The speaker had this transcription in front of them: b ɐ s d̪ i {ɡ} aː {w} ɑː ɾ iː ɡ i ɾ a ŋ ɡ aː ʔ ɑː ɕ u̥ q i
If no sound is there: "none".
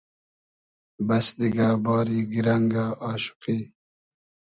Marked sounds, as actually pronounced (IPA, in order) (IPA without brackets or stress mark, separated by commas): ɡ, b